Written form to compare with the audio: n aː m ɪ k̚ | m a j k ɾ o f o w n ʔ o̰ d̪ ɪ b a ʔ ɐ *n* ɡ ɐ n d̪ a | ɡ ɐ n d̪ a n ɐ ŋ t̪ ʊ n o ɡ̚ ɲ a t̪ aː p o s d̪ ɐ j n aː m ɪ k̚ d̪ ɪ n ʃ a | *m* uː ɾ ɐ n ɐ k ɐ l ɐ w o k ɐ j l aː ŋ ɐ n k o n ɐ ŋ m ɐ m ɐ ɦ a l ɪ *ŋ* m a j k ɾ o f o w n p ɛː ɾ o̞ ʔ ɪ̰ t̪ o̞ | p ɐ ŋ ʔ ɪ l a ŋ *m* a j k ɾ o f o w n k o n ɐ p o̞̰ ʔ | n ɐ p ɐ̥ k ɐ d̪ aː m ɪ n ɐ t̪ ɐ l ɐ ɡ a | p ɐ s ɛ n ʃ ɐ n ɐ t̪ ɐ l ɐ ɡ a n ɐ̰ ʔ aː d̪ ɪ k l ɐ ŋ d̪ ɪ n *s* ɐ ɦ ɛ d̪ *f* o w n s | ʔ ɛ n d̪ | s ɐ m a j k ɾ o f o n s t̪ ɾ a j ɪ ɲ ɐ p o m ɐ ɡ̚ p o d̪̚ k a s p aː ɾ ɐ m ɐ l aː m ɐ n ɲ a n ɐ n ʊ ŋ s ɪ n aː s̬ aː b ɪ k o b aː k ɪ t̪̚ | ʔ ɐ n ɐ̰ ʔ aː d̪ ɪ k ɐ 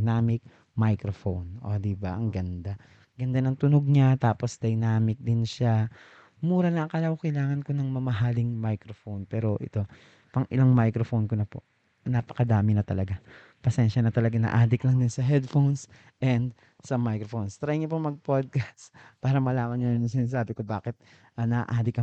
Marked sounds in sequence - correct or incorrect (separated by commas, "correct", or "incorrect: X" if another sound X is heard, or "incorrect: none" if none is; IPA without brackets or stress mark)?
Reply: incorrect: ŋ, correct, correct, correct, correct, correct